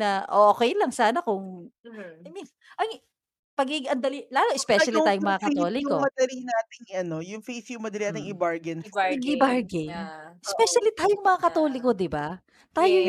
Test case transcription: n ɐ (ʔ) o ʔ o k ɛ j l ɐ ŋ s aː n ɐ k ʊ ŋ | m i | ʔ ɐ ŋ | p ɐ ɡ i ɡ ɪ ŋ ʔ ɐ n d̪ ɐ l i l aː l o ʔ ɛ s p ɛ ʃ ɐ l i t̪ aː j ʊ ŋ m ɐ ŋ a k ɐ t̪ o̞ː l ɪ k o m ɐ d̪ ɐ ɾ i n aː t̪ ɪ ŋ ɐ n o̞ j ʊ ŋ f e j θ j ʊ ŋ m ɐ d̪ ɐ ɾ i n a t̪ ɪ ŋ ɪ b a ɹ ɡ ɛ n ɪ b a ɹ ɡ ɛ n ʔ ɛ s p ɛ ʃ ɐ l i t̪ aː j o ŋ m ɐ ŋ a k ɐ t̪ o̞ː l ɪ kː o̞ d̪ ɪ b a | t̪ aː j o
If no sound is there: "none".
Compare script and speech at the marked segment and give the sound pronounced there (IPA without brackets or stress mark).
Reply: ʔ